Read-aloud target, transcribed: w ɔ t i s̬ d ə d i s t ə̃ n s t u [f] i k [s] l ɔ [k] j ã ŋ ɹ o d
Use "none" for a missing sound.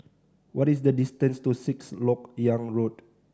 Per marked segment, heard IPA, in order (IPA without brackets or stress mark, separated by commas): s, s, k